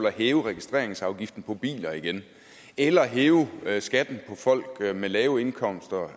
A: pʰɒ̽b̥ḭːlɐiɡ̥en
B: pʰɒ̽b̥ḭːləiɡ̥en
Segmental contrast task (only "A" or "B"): A